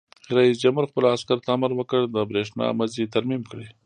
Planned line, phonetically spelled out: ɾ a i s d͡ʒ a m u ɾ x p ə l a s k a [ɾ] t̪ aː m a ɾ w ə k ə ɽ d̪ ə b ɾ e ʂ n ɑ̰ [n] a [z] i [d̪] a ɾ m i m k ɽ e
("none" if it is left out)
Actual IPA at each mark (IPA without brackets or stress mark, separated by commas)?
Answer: ɾ, m, z, t̪